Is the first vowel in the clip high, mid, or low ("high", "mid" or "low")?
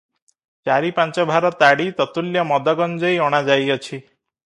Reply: low